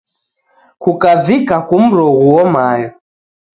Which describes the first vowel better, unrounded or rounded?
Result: rounded